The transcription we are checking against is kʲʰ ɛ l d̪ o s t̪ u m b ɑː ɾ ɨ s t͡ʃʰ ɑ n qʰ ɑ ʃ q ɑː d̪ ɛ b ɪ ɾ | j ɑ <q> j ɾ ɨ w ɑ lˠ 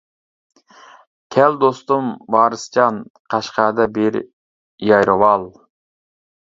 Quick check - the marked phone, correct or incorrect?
incorrect